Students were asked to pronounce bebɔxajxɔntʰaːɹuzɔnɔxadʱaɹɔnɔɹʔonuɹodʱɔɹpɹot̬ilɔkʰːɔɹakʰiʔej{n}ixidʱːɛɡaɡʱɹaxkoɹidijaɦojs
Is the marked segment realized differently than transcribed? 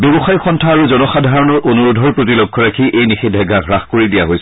no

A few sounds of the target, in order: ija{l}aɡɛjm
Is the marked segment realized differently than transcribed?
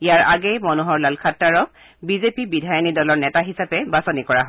yes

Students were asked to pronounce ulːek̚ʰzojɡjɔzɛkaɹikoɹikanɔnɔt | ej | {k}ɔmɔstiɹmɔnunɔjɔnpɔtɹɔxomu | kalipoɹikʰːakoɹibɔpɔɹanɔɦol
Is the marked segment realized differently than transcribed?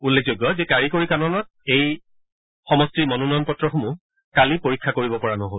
yes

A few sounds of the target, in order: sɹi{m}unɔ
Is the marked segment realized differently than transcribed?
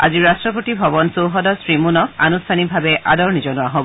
no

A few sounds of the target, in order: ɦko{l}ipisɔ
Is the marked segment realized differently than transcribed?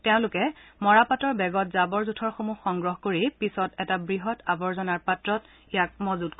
yes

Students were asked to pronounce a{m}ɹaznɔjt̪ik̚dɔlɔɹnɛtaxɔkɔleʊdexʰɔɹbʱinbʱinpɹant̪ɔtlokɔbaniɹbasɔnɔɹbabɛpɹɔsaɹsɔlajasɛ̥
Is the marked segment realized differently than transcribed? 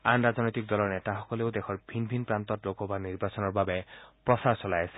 yes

